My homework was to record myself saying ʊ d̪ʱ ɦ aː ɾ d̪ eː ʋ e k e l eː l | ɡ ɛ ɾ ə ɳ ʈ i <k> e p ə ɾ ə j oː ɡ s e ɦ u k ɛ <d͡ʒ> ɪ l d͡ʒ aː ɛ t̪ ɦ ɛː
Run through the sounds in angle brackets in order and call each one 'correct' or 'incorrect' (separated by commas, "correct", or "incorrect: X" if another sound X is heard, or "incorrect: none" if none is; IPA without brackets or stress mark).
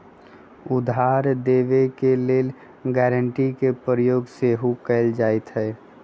correct, incorrect: none